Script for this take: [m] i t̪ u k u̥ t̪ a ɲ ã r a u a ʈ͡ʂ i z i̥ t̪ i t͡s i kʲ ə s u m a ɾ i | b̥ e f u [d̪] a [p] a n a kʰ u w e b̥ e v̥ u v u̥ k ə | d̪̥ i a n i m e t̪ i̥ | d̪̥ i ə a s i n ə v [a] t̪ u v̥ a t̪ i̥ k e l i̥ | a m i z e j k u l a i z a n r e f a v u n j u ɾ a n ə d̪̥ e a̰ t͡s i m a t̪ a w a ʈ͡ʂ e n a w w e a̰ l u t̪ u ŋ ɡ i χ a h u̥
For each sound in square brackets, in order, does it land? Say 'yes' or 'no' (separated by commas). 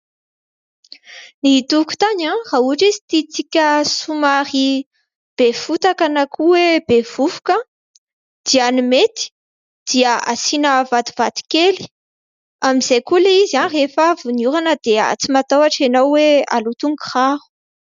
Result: no, no, no, yes